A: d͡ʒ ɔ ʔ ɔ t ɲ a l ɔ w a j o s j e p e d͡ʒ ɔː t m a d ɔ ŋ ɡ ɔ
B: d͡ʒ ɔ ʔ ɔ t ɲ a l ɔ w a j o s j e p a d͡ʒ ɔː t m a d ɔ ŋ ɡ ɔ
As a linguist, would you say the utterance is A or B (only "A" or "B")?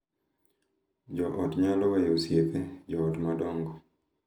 A